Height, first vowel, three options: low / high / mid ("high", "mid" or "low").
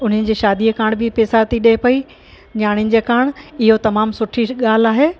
high